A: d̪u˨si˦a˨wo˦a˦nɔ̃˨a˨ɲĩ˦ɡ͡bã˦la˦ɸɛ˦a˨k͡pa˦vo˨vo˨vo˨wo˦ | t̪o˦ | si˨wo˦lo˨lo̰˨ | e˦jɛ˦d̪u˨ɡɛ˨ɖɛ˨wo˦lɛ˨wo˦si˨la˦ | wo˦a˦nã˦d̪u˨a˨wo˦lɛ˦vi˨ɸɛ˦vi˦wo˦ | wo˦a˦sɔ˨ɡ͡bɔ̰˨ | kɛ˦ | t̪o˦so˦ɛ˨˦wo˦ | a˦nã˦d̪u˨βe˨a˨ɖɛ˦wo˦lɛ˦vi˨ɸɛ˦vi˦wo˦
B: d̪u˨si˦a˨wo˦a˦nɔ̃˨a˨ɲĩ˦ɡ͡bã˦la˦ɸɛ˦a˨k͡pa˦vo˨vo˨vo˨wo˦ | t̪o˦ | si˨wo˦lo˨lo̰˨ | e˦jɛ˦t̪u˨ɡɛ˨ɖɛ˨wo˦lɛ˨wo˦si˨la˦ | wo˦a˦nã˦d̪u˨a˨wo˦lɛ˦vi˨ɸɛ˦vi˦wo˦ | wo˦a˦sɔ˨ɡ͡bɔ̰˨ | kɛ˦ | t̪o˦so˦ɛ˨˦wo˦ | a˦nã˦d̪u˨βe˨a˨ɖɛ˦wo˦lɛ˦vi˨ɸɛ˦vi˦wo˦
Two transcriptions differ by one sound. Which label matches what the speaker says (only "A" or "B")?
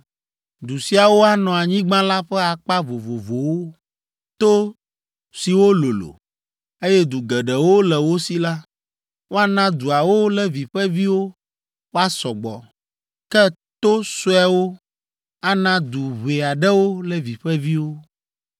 A